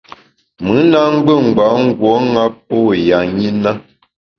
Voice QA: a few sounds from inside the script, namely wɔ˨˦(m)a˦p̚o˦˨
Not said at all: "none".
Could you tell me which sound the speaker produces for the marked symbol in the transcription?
ŋ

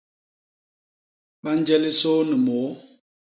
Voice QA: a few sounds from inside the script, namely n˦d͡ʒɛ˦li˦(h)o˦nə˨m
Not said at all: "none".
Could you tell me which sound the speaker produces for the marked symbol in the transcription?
s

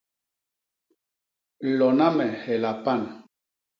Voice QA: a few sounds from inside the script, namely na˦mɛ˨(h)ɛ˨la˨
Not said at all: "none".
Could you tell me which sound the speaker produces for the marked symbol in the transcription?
h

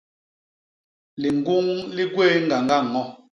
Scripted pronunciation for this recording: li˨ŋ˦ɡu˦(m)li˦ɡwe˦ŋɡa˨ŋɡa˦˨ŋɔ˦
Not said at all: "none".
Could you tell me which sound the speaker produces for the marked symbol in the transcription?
ŋ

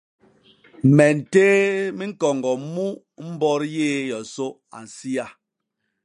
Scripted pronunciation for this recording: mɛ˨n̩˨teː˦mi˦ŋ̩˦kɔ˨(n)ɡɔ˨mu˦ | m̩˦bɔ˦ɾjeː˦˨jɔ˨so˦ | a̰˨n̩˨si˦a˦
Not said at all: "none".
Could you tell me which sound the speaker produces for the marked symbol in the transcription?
ŋ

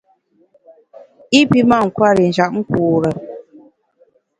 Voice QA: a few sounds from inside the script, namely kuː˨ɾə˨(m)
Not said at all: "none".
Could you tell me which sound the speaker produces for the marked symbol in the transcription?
none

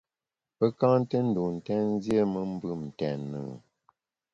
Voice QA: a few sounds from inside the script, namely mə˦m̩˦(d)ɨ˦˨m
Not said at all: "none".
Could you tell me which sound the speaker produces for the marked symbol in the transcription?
b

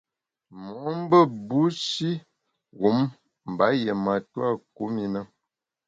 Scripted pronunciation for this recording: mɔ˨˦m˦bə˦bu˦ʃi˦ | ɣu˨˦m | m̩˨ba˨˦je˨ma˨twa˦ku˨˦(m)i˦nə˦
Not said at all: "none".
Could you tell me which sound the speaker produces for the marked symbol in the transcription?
m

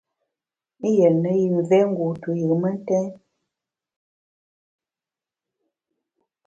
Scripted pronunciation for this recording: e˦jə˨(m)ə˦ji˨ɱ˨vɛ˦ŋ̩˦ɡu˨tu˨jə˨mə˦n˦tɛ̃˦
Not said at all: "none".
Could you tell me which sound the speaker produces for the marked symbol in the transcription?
n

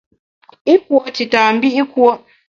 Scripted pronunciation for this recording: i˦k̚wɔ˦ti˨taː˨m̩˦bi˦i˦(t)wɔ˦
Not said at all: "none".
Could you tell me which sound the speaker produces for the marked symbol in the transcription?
k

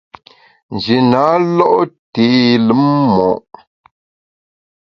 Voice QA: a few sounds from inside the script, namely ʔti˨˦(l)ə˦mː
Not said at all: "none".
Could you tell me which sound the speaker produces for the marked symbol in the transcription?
l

